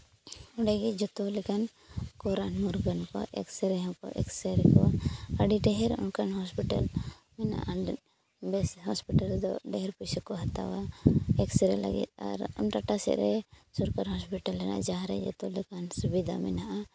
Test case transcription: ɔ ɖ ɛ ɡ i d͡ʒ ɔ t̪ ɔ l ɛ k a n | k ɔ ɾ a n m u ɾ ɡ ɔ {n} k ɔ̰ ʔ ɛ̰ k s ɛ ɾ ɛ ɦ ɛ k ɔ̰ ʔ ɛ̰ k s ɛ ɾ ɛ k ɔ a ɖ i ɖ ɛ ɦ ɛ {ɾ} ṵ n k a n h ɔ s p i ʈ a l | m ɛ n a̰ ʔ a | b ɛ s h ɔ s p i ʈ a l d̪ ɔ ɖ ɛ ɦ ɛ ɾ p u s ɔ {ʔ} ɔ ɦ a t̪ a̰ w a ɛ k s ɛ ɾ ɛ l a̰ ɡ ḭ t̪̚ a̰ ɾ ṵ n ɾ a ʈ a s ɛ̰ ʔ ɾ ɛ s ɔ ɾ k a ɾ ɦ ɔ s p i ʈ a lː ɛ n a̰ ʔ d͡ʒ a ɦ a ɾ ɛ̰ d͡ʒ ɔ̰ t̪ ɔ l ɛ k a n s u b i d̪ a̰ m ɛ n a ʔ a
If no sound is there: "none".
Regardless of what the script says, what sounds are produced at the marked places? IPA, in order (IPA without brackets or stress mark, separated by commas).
n, ɾ, k